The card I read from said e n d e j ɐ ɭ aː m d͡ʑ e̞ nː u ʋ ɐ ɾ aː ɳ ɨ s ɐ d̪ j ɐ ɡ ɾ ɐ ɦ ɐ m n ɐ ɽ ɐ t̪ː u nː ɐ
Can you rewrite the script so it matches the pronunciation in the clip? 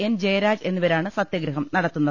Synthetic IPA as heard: e n d͡ʑ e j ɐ ɾ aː d͡ʑ e̞ nː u ʋ ɐ ɾ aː ɳ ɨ s ɐ t̪ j ɐ ɡ ɾ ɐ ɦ ɐ m n ɐ ɽ ɐ t̪ː u nː ɐ